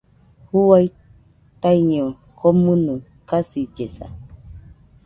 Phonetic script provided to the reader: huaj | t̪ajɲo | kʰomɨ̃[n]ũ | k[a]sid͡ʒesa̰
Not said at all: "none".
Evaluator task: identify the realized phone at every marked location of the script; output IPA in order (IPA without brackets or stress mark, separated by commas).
n, a